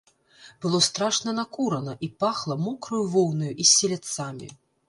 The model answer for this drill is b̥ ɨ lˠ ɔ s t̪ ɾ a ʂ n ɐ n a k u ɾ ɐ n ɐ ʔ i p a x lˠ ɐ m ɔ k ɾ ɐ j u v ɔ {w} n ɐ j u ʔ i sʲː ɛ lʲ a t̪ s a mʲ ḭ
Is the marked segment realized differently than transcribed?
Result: no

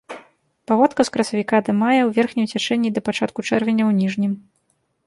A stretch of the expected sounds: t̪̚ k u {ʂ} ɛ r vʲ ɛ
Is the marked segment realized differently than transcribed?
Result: yes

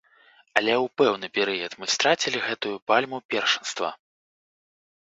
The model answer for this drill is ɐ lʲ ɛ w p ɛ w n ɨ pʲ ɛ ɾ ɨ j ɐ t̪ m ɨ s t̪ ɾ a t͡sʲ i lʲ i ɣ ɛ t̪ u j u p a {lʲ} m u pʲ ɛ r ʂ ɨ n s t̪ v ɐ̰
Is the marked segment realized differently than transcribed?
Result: no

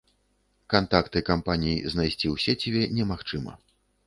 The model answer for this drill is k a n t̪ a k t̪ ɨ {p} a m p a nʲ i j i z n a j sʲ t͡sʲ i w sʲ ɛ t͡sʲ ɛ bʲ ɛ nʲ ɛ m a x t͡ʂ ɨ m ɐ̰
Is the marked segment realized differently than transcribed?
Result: yes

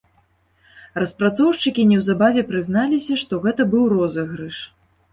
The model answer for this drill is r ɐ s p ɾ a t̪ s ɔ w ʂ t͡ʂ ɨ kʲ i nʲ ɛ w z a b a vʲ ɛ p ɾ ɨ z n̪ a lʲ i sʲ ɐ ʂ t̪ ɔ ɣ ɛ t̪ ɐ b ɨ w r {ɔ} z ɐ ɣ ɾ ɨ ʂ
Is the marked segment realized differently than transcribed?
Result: no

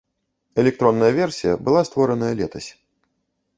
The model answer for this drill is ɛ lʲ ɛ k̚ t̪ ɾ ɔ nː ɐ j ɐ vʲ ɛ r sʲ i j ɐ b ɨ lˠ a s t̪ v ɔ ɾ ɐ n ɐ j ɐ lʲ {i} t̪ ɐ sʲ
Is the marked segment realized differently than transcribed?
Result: yes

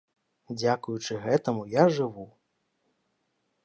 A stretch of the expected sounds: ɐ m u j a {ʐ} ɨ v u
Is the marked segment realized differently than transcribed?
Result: no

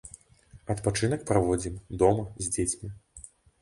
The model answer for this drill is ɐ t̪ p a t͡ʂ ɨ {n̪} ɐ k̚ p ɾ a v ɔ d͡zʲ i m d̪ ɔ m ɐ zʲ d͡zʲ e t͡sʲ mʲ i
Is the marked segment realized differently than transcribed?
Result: no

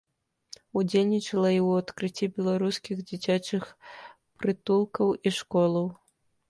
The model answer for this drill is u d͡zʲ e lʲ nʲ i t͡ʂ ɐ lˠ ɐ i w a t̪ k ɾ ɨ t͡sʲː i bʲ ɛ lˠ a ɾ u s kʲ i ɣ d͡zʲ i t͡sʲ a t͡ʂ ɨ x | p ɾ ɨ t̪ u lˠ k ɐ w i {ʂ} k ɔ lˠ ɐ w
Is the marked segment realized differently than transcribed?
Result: no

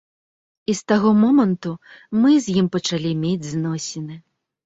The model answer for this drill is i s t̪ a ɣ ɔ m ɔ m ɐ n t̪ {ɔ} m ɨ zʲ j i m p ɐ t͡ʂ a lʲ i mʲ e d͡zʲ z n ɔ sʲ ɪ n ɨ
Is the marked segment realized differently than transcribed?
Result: yes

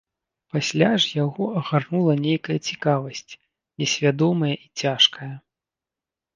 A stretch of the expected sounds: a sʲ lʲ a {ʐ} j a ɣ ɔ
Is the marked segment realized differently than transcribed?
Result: no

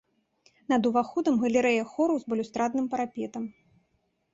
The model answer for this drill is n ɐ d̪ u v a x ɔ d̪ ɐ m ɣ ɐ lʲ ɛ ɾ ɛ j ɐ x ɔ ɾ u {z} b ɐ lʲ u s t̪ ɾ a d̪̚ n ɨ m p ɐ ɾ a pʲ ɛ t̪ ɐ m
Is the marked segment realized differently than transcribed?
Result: no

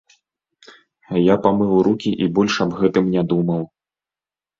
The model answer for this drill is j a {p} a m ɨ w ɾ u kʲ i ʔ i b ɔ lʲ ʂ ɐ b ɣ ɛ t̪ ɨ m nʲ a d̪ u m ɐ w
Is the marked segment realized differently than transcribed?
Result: no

